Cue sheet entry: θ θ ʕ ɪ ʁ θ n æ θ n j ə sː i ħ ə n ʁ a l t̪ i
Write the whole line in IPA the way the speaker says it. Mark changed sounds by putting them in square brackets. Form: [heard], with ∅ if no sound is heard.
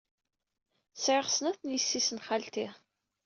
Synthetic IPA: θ [s] ʕ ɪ ʁ [s] n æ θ n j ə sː i [s] ə n [χ] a l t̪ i